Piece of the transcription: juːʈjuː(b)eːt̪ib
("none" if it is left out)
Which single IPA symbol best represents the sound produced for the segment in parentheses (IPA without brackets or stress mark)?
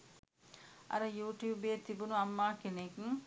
b